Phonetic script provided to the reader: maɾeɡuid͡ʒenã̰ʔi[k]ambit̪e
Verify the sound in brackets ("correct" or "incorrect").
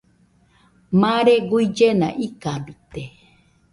correct